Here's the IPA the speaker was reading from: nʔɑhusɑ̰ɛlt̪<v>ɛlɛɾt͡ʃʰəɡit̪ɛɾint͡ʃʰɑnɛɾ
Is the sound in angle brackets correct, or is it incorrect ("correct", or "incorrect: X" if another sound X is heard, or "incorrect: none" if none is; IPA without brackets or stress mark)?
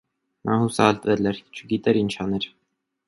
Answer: correct